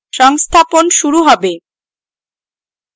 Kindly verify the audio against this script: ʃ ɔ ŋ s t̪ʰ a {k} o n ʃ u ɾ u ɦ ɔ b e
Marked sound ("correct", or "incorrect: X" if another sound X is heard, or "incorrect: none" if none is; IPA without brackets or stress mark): incorrect: p